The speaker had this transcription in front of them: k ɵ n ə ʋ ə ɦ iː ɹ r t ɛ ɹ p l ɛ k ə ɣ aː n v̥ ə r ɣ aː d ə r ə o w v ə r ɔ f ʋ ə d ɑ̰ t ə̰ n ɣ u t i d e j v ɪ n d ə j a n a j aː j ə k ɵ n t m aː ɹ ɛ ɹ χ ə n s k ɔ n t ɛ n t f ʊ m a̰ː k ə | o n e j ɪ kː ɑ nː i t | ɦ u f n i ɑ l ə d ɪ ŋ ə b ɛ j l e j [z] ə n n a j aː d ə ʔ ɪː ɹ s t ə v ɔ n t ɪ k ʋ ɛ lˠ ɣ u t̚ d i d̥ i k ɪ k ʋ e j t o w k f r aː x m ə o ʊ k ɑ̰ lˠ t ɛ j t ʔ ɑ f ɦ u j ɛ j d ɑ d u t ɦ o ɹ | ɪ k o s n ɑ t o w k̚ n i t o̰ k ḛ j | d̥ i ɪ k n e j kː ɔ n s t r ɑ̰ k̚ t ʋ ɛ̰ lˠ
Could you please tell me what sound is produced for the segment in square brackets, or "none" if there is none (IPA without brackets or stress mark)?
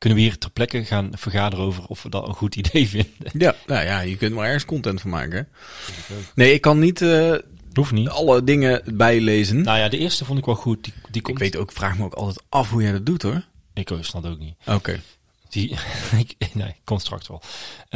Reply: z